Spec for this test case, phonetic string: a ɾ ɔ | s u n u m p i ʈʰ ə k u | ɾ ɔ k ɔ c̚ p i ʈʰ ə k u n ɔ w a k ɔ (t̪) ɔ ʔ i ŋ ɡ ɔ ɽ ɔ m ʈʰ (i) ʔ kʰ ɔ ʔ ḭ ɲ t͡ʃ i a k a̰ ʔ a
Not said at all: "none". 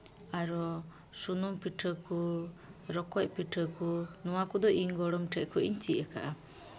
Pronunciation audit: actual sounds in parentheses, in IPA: d̪, ɛ

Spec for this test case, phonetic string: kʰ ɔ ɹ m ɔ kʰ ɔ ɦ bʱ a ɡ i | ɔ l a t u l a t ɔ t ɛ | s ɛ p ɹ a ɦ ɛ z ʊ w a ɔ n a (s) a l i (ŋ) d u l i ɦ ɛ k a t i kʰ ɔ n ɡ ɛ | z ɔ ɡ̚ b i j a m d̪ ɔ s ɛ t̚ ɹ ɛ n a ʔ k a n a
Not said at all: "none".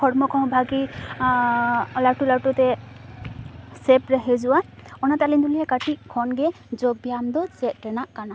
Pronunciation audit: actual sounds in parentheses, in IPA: t, n

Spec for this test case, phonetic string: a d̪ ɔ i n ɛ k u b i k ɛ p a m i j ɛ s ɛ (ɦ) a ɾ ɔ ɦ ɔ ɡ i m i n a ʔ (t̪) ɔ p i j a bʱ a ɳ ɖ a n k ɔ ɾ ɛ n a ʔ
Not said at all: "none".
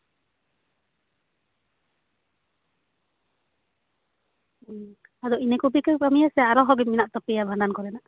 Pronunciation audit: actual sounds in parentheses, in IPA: none, t̪

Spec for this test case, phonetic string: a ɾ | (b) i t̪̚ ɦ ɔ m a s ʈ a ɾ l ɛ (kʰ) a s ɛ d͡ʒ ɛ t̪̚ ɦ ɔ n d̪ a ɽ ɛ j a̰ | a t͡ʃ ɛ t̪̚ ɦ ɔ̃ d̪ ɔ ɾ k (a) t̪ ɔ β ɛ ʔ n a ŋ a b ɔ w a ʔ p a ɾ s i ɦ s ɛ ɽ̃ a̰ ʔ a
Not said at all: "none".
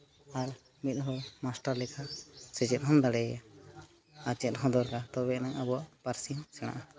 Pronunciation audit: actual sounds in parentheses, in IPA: m, kʰ, a

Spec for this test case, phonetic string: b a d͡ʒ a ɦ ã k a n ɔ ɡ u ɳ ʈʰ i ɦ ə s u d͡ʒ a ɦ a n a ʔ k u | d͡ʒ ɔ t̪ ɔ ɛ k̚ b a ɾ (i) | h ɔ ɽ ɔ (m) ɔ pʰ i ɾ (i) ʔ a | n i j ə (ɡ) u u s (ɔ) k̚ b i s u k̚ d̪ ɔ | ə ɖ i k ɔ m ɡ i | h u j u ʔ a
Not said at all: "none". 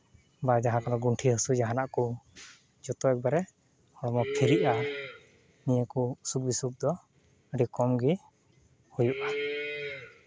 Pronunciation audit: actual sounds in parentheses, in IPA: ɛ, m, i, k, u

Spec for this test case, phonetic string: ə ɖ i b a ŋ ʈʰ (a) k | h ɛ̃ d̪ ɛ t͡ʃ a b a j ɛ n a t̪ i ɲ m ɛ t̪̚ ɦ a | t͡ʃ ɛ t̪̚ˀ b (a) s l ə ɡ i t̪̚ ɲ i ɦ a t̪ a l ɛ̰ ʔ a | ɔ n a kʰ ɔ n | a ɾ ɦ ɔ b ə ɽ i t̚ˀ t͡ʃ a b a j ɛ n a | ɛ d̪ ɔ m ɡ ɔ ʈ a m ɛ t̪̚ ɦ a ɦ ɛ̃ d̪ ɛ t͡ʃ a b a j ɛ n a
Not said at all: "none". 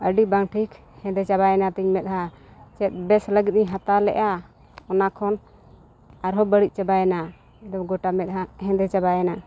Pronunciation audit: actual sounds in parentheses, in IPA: i, ɛ

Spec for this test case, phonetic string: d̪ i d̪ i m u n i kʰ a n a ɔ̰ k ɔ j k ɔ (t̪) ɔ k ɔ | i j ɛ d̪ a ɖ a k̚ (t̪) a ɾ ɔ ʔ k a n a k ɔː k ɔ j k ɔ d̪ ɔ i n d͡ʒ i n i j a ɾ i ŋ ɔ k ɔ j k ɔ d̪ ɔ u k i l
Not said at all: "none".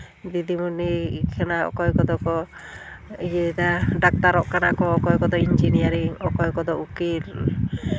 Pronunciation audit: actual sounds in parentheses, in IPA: d̪, t̪

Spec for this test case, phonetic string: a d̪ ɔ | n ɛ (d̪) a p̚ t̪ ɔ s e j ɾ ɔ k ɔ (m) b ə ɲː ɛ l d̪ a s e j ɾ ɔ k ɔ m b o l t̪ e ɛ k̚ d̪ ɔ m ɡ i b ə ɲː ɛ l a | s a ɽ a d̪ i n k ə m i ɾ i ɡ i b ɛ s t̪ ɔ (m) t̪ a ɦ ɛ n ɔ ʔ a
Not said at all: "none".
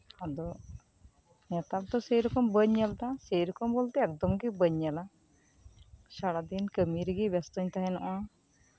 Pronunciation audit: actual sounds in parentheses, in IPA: t̪, m, ɲ

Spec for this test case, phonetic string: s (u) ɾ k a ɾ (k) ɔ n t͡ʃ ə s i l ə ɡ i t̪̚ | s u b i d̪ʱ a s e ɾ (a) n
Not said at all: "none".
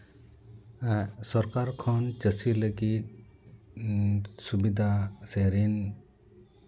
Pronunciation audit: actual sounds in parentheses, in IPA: ɔ, kʰ, i

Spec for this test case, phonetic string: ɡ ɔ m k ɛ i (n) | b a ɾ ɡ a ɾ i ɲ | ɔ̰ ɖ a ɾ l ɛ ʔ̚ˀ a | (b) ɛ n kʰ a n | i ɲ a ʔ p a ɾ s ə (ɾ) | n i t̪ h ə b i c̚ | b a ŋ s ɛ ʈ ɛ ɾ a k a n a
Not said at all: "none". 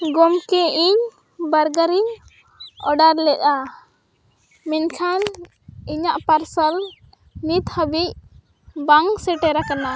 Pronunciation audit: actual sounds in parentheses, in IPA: ɲ, m, l

